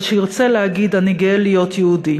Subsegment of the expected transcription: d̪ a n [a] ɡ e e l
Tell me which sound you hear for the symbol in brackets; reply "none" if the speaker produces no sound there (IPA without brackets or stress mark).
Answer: i